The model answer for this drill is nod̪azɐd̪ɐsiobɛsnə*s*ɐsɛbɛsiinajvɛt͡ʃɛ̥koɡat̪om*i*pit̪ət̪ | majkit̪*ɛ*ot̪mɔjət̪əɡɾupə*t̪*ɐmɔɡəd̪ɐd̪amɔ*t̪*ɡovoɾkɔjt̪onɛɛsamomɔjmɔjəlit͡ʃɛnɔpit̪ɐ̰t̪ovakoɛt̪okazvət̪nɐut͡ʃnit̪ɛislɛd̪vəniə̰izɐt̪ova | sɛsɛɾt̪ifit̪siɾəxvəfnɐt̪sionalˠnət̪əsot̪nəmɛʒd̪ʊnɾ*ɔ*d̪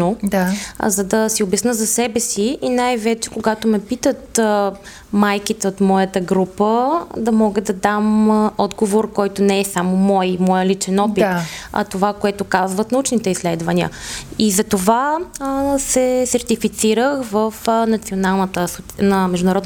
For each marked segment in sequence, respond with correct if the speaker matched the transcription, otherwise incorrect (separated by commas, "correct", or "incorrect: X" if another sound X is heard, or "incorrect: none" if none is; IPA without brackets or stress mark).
incorrect: z, incorrect: ɛ, correct, incorrect: d̪, incorrect: d̪, correct